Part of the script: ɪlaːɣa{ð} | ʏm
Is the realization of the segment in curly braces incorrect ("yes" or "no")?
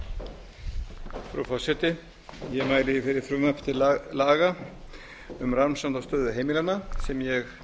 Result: yes